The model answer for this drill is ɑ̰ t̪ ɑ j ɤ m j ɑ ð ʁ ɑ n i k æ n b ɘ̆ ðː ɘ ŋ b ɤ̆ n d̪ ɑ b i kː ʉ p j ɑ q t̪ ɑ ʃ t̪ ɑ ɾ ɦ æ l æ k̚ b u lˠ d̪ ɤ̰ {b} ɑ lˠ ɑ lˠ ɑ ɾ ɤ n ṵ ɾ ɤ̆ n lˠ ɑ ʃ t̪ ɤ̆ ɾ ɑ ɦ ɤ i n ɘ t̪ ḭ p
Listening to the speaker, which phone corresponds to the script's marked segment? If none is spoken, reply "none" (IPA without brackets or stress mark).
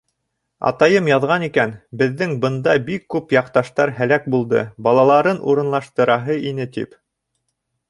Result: b